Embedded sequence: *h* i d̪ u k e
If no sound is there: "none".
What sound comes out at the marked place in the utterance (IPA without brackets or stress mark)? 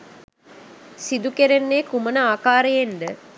s